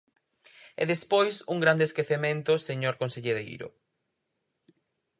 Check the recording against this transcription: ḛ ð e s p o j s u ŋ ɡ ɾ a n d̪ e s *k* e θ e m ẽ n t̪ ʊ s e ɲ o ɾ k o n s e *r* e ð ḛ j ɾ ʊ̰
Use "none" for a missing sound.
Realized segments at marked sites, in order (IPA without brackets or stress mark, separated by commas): k, ʎ